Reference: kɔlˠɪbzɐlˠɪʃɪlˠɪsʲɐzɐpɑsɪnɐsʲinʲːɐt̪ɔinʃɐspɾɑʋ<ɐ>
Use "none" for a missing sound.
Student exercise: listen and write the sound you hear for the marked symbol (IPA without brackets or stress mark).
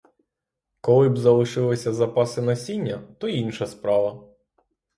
ɐ